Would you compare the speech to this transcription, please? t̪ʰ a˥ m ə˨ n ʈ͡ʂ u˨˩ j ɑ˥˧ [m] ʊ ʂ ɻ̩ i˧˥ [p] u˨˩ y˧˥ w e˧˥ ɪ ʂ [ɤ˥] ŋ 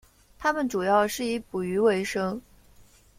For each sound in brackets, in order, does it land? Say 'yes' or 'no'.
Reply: no, yes, yes

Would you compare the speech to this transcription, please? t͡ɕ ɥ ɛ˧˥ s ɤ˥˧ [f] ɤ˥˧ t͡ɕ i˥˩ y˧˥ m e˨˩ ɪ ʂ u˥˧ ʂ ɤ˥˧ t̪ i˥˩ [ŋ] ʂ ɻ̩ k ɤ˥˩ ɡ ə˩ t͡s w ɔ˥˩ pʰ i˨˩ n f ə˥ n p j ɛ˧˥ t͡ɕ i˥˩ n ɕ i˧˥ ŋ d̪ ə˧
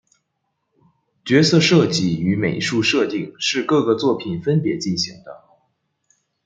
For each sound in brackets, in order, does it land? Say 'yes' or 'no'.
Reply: no, yes

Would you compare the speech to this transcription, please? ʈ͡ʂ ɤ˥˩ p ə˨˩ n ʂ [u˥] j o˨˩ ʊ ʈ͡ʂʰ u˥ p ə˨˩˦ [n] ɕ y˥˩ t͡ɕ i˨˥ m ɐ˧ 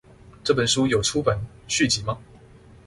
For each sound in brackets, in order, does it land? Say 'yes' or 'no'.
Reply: yes, yes

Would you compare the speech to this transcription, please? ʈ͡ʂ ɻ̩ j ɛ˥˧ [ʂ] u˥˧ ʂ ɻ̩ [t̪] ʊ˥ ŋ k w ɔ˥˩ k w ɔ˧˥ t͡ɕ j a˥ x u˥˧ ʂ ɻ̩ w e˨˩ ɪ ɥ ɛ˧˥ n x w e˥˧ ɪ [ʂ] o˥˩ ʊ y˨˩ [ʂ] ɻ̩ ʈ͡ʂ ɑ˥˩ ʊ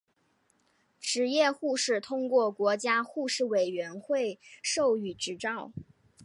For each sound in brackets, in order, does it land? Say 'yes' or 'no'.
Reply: no, no, yes, no

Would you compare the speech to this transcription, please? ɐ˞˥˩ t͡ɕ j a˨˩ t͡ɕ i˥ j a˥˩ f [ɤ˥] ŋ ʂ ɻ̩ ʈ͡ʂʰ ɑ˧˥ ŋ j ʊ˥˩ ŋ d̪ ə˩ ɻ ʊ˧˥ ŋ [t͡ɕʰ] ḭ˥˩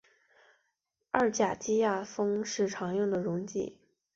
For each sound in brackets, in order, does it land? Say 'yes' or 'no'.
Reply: yes, no

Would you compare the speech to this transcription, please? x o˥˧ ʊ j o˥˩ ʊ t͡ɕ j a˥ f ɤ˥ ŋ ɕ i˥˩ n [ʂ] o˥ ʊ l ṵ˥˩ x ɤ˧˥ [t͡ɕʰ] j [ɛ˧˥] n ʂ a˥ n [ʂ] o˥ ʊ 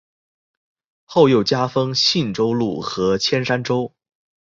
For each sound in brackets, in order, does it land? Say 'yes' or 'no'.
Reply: no, yes, no, no

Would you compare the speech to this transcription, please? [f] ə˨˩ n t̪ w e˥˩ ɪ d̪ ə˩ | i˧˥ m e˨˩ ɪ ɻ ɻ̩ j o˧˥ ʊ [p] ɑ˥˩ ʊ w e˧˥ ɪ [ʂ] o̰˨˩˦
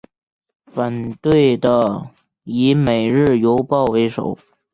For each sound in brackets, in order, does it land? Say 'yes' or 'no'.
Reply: yes, yes, yes

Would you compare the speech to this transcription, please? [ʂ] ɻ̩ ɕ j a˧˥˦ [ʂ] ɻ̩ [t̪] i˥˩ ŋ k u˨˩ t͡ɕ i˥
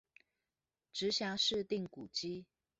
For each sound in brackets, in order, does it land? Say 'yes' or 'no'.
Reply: no, yes, yes

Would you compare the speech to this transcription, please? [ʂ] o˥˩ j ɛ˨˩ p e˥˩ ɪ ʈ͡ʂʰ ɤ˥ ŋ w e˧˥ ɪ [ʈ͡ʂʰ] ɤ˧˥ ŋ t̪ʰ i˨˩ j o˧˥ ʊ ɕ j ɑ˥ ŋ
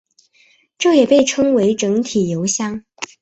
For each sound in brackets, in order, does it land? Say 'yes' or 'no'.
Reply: no, no

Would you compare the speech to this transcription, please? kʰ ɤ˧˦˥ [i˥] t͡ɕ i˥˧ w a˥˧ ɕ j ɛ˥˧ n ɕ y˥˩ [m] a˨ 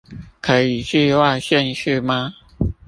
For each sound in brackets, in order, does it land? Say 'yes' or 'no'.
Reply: no, yes

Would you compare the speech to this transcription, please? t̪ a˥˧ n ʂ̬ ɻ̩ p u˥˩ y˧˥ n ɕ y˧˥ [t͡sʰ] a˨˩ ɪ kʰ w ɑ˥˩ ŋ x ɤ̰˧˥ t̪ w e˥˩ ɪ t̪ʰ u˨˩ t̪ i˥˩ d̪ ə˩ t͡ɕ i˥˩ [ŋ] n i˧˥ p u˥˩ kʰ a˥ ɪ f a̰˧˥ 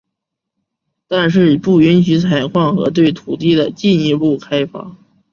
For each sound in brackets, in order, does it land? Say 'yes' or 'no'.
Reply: yes, no

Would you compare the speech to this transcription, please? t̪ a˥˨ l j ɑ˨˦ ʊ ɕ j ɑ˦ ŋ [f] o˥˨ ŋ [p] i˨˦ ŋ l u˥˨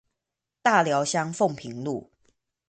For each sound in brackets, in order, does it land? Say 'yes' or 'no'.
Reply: yes, no

